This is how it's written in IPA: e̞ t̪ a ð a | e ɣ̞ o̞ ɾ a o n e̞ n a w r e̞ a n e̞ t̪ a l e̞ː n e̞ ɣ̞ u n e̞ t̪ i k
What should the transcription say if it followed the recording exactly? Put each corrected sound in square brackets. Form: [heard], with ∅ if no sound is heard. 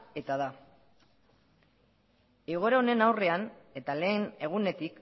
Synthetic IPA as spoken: e̞ t̪ a ð a | e ɣ̞ o̞ ɾ a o n e̞ n a w r e̞ a n e̞ t̪ a l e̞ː n e̞ ɣ̞ u n e̞ t̪ i k

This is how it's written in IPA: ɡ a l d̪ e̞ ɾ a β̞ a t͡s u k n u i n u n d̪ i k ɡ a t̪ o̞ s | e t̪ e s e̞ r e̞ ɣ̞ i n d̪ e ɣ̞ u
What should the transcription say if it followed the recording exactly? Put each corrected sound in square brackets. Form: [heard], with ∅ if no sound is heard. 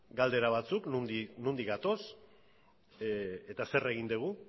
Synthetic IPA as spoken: ɡ a l d̪ e̞ ɾ a β̞ a t͡s u k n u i n u n d̪ i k ɡ a t̪ o̞ s | e t̪ [a] s e̞ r e̞ ɣ̞ i n d̪ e ɣ̞ u

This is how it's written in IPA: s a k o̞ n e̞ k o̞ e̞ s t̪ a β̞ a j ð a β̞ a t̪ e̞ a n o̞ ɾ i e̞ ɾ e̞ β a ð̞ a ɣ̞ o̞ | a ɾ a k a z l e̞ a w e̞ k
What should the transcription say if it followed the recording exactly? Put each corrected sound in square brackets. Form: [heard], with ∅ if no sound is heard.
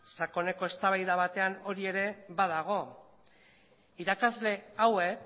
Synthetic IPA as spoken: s a k o̞ n e̞ k o̞ e̞ s t̪ a β̞ a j ð a β̞ a t̪ e̞ a n o̞ ɾ i e̞ ɾ e̞ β a ð̞ a ɣ̞ o̞ | [i] ɾ a k a z l e̞ a w e̞ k

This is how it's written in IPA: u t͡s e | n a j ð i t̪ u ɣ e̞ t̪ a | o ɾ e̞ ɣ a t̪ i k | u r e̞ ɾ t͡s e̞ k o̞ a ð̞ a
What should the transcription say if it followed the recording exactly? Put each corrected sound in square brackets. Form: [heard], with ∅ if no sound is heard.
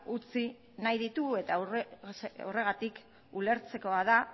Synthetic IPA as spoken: u t͡s [i] | n a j ð i t̪ u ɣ e̞ t̪ a | o [r] e̞ ɣ a t̪ i k | u [l] e̞ ɾ t͡s e̞ k o̞ a ð̞ a

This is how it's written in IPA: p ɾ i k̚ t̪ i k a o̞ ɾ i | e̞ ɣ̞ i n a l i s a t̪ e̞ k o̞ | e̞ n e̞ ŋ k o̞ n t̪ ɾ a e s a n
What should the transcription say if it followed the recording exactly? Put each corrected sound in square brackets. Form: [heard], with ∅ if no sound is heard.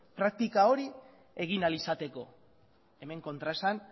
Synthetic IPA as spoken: p ɾ [a] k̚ t̪ i k a o̞ ɾ i | e̞ ɣ̞ i n a l i s a t̪ e̞ k o̞ | e̞ [m] e̞ ŋ k o̞ n t̪ ɾ a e s a n

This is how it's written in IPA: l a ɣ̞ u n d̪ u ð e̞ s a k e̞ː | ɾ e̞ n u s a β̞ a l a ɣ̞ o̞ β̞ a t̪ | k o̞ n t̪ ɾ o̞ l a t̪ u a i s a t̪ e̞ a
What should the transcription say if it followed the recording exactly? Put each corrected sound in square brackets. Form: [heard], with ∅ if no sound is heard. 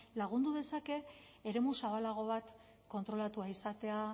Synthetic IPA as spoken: l a ɣ̞ u n d̪ u ð e̞ s a k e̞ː | ɾ e̞ [m] u s a β̞ a l a ɣ̞ o̞ β̞ a t̪ | k o̞ n t̪ ɾ o̞ l a t̪ u a i s a t̪ e̞ a

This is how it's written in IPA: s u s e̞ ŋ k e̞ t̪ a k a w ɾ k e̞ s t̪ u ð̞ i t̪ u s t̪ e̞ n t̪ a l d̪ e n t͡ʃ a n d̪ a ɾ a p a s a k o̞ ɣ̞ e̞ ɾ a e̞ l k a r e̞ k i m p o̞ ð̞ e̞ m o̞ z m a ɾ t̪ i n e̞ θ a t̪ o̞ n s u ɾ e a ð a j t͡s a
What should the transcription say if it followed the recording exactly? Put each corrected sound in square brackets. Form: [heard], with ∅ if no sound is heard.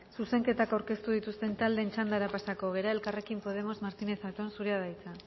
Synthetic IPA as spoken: s u s e̞ ŋ k e̞ t̪ a k a w ɾ k e̞ s t̪ u ð̞ i t̪ u s t̪ e̞ n t̪ a l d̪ e n t͡ʃ a n d̪ a ɾ a p a s a k o̞ ɣ̞ e̞ ɾ a e̞ l k a r e̞ k i m p o̞ ð̞ e̞ m o̞ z m a ɾ t̪ i n e̞ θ a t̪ o̞ n s u ɾ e a ð a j t͡s a

